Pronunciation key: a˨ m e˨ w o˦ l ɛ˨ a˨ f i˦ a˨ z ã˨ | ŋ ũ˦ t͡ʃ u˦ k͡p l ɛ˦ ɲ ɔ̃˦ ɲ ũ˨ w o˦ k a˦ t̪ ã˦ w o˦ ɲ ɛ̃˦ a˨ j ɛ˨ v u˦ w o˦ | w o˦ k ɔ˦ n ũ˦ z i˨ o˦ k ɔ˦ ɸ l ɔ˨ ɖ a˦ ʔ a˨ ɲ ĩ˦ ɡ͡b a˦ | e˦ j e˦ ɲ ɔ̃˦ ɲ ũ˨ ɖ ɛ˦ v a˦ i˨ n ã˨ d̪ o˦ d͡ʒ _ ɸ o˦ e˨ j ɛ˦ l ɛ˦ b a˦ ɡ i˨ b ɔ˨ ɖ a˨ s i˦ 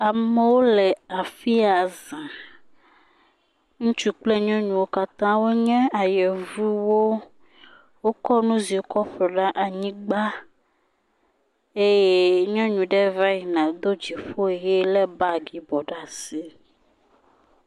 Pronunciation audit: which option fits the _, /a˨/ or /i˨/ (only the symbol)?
i˨